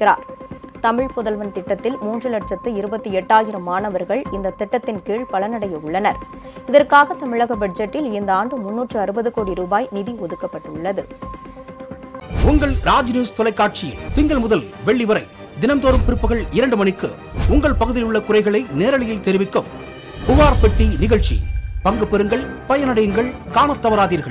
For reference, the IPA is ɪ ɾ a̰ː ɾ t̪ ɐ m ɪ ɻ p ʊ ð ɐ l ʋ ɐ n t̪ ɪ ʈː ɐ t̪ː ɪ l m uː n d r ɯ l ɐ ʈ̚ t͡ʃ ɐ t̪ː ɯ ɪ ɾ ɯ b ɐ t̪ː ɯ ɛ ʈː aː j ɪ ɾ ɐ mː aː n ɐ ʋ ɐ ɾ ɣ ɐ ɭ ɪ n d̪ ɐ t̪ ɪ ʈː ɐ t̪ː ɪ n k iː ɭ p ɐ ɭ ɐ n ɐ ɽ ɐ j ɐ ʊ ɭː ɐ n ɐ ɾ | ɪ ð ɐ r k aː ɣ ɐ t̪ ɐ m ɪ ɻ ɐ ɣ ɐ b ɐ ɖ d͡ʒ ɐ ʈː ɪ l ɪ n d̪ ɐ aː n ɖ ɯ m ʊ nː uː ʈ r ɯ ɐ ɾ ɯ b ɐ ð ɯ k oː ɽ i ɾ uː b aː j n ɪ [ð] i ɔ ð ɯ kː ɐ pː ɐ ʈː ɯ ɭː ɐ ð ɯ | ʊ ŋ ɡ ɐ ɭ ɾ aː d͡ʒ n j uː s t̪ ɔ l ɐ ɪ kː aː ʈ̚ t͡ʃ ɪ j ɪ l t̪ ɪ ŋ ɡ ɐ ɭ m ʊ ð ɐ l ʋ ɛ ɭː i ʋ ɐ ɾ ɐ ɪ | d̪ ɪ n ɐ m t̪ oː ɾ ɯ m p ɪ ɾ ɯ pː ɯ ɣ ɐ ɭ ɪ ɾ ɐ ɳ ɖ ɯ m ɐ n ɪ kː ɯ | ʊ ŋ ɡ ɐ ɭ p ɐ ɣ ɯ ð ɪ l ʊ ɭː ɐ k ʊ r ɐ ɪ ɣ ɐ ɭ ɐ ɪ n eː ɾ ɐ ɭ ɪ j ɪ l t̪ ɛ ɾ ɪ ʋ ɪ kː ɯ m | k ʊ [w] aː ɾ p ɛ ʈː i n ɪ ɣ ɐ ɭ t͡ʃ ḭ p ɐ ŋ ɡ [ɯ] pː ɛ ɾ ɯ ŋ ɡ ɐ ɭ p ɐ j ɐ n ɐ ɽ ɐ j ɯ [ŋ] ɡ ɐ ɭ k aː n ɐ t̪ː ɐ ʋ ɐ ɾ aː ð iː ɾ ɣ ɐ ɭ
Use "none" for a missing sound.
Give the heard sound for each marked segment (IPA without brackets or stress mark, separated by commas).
ð, ʋ, ɯ, ŋ